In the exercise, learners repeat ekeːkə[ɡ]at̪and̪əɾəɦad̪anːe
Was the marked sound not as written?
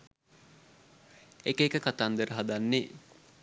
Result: yes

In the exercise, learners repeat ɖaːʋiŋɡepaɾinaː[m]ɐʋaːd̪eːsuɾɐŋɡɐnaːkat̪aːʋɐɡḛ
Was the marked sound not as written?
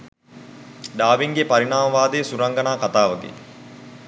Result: no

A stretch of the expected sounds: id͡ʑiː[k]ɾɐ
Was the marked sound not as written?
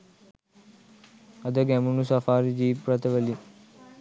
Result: yes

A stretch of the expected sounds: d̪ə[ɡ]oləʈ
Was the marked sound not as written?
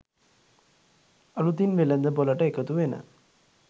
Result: yes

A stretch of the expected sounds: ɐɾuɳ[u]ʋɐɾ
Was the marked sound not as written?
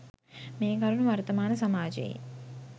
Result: no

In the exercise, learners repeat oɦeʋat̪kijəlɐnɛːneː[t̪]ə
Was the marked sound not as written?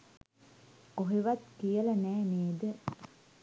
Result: yes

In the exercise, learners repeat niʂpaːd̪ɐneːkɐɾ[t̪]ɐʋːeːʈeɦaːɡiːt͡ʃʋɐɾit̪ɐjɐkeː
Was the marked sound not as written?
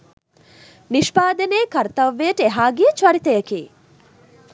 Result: no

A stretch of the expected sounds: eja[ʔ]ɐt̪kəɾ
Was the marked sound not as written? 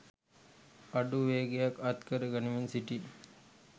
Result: yes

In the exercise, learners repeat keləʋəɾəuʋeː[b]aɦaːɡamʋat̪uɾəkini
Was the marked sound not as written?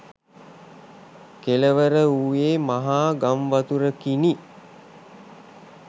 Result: yes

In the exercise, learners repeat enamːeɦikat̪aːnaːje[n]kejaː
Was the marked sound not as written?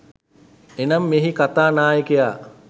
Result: yes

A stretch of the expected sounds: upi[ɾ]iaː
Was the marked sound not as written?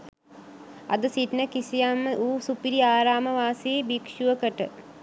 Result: no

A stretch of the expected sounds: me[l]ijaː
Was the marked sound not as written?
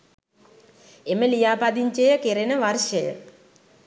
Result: no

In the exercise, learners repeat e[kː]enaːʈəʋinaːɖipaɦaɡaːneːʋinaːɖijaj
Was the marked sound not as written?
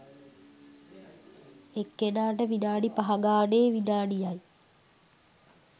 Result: no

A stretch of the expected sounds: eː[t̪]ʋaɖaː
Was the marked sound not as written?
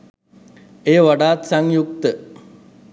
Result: yes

